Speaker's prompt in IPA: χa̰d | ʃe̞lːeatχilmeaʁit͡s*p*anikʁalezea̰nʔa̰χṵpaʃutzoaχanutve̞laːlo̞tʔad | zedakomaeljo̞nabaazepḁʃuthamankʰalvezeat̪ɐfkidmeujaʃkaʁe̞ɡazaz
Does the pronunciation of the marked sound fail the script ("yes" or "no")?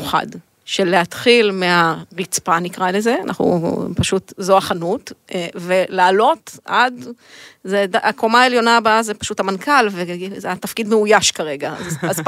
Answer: no